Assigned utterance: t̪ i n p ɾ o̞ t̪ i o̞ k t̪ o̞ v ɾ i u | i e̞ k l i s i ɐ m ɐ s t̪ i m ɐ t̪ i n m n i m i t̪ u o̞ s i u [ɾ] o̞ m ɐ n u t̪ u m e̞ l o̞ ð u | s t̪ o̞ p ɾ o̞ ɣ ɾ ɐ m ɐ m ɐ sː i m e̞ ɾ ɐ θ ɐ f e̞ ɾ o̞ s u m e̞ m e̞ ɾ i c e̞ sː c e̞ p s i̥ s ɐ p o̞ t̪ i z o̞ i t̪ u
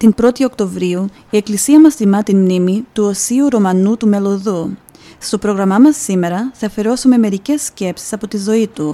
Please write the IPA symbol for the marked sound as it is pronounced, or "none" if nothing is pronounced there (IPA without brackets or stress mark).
ɾ